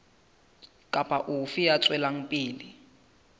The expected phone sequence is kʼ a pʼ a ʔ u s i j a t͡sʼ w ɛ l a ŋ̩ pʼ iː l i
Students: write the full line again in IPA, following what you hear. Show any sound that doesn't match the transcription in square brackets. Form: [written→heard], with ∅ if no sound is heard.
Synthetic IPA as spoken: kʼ a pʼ a ʔ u [s→f] i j a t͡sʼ w ɛ l a ŋ̩ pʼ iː l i